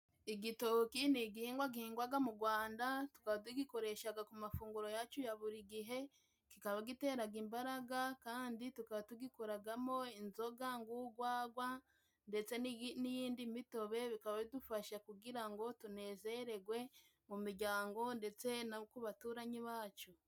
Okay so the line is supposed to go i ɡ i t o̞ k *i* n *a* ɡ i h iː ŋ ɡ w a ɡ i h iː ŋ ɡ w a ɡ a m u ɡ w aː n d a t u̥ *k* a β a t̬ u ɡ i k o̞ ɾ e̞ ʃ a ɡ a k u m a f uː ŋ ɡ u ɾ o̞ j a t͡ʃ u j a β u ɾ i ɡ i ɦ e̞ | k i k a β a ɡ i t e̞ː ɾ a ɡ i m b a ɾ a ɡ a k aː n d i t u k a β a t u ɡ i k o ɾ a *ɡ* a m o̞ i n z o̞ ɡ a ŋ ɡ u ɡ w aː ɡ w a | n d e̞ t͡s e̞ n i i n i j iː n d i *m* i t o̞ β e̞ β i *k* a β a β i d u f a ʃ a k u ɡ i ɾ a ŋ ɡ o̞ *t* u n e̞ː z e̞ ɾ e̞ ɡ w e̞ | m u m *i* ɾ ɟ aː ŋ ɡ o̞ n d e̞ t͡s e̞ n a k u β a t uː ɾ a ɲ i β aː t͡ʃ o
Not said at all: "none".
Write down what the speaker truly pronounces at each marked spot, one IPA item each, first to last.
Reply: i, i, k, ɡ, m, k, t, i

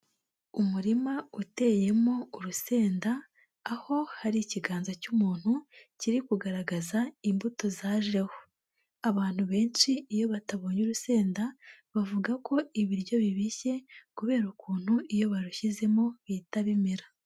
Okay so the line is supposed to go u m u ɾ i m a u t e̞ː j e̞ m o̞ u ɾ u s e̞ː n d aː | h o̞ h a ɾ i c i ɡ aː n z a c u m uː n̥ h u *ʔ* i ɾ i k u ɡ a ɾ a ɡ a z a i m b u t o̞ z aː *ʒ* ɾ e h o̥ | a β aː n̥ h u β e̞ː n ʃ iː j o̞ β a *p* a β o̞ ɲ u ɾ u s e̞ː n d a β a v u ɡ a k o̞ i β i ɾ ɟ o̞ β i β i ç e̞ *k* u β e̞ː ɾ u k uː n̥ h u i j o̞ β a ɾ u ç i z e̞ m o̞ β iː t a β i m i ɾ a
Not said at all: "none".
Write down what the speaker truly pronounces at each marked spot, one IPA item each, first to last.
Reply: c, ʒ, t, k

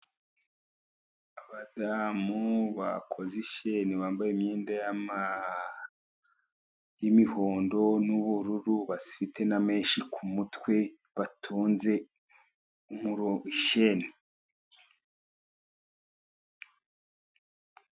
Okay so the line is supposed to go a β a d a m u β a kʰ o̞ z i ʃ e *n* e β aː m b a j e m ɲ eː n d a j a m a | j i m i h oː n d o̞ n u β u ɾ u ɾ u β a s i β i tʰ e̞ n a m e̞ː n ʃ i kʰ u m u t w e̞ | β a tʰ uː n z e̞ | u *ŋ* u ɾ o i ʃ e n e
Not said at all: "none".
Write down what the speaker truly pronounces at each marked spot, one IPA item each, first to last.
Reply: n, m

